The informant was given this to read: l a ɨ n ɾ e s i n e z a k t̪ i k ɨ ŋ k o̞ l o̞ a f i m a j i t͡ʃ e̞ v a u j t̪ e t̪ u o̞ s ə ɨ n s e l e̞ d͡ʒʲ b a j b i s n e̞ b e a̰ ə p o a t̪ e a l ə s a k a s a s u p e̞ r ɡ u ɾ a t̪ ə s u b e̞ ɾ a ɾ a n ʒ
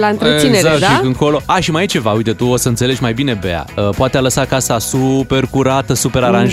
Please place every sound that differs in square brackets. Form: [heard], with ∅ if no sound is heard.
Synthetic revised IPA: l a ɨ n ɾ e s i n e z a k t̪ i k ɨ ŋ k o̞ l o̞ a [ʃ] i m a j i t͡ʃ e̞ v a u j t̪ e t̪ u o̞ s ə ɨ n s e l e̞ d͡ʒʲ [m] a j b i [∅] n e̞ b e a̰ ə p o a t̪ e a l ə s a k a s a s u p e̞ r [k] u ɾ a t̪ ə s u [p] e̞ ɾ a ɾ a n ʒ